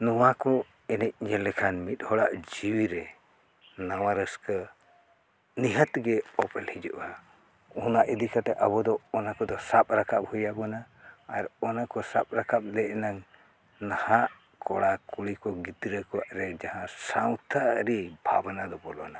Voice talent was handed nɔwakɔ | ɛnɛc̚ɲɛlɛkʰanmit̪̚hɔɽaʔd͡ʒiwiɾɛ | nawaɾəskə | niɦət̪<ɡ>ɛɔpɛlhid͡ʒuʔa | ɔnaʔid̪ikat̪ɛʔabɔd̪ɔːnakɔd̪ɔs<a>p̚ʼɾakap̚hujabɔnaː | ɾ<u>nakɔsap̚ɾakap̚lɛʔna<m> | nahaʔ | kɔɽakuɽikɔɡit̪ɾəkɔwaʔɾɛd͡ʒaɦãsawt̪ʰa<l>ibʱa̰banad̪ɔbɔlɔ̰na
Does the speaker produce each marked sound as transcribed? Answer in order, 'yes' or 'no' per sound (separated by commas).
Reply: yes, yes, no, no, no